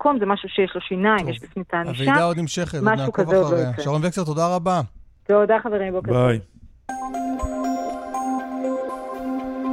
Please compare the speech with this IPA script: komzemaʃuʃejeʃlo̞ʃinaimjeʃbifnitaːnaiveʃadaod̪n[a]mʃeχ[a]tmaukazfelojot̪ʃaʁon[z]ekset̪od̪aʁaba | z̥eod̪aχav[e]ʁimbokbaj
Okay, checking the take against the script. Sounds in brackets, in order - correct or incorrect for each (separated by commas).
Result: incorrect, incorrect, incorrect, correct